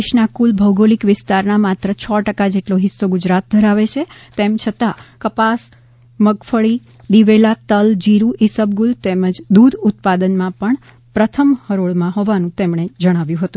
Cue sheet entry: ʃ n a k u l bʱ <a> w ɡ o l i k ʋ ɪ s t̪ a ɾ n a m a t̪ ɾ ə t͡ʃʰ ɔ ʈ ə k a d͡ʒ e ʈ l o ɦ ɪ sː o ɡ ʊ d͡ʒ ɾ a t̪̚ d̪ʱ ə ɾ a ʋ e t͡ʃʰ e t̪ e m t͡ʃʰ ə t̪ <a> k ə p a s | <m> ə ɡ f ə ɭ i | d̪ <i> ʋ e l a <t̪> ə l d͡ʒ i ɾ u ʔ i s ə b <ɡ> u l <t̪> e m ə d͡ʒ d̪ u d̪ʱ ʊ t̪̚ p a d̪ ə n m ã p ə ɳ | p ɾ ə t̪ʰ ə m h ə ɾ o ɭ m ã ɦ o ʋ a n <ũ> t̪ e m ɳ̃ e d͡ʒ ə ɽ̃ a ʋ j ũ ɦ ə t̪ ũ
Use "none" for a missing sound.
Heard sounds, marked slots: ə, a, m, i, t̪, ɡ, t̪, ũ

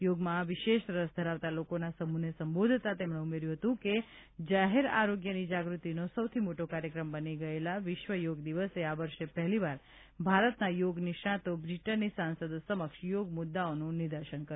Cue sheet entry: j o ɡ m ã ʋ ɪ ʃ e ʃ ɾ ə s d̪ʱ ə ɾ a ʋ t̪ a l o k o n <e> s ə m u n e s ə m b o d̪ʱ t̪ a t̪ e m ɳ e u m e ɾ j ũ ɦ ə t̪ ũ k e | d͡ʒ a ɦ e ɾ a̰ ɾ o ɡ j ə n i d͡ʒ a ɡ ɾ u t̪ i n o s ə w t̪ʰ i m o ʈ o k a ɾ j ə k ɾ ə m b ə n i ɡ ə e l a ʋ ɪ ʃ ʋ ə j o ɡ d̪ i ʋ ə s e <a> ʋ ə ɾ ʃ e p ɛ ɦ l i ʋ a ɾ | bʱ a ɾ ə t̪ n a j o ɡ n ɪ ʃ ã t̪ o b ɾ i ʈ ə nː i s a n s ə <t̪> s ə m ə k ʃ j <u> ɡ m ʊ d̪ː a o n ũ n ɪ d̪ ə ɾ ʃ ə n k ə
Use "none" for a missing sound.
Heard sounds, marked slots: a, a, d̪, o

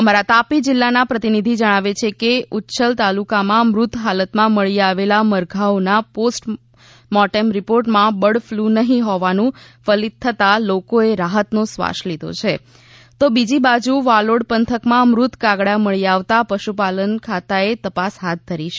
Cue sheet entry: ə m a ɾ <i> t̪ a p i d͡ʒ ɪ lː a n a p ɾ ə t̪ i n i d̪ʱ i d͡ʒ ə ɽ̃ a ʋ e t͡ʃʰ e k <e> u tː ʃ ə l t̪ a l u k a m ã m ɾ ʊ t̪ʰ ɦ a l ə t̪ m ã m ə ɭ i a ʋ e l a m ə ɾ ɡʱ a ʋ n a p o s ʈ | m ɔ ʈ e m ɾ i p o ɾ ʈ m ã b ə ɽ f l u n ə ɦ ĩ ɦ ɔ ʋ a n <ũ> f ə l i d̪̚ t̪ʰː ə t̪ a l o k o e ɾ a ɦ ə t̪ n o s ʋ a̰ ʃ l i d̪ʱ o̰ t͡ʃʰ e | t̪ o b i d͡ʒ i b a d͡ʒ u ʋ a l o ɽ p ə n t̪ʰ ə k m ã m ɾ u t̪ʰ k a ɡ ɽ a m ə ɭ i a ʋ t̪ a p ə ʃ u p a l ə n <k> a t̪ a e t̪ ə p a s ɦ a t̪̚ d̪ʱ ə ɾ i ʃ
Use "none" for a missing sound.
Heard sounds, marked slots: a, e, ũ, kʰ

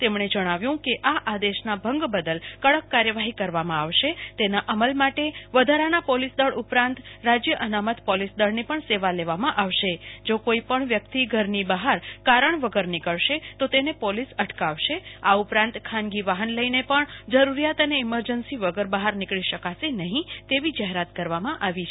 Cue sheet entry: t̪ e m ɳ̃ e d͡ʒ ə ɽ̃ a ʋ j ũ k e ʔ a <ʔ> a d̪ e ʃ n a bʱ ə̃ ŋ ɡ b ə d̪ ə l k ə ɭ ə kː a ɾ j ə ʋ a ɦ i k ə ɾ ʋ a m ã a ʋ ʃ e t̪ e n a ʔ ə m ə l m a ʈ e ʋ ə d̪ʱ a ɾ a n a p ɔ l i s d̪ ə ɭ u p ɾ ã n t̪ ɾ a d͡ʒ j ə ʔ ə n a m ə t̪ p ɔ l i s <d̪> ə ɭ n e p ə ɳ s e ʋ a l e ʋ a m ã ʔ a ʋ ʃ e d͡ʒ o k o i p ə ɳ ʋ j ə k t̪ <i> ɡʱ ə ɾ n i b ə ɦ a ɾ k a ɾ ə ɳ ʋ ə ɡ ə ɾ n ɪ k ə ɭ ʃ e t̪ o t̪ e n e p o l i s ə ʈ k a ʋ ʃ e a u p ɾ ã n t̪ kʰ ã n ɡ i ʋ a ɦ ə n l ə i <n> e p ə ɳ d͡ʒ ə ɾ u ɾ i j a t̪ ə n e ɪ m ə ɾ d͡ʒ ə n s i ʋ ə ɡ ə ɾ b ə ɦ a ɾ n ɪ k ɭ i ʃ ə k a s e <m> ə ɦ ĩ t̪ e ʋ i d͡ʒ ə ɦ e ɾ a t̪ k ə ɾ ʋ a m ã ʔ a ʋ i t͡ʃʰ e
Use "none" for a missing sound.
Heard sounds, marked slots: ʔ, d̪, i, n, n

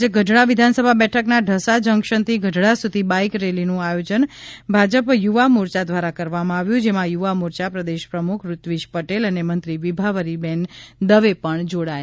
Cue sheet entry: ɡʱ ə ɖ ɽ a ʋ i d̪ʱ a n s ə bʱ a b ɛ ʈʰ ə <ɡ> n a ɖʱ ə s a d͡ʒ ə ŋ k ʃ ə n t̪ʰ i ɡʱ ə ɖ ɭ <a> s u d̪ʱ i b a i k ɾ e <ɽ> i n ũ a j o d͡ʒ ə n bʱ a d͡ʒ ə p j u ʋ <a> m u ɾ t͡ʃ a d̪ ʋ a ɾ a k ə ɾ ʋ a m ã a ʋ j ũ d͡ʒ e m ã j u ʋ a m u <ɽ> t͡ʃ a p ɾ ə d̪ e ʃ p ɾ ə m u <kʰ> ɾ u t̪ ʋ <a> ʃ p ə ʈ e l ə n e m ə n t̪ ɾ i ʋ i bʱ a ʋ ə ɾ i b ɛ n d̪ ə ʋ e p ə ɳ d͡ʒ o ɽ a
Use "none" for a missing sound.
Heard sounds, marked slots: k, a, l, a, ɾ, kʰ, i

